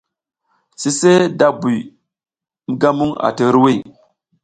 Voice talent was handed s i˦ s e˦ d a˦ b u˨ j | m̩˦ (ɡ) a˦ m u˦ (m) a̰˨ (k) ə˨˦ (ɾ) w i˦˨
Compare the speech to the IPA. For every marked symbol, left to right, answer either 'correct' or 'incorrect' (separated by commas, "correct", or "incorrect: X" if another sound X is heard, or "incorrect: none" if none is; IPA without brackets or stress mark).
correct, incorrect: ŋ, incorrect: t, correct